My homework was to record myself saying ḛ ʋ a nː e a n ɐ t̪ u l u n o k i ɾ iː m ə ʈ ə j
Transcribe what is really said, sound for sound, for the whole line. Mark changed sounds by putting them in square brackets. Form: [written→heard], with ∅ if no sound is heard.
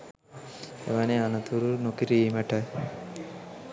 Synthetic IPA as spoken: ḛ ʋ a [nː→n] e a n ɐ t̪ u [l→ɾ] u n o k i ɾ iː m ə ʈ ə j